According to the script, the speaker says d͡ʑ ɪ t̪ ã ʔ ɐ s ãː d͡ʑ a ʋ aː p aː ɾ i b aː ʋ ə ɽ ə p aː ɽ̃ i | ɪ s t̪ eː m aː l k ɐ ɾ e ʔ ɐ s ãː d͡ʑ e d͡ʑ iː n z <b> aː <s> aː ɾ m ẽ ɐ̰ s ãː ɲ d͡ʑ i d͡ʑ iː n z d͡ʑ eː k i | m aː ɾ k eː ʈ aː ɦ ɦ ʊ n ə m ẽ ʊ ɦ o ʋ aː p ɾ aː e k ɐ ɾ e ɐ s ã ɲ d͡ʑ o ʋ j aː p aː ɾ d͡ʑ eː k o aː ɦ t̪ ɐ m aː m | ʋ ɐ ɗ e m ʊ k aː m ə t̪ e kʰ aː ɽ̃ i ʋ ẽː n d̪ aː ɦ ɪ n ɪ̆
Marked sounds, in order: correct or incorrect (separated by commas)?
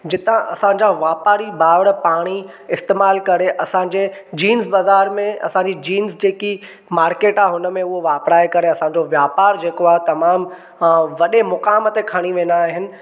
correct, incorrect